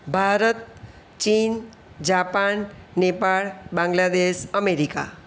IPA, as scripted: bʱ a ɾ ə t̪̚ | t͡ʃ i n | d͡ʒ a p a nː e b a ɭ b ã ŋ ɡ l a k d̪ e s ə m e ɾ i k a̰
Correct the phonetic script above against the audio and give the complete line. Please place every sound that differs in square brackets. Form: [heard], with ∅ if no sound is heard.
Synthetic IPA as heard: bʱ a ɾ ə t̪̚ | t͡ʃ i n | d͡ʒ a p a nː e [p] a ɭ b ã ŋ ɡ l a [∅] d̪ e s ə m e ɾ i k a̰